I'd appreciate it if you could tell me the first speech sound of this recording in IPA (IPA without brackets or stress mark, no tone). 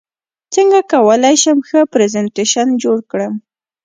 t͡s